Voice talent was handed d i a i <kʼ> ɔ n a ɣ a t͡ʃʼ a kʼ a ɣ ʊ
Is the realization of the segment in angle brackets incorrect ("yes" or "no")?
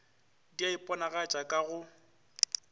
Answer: yes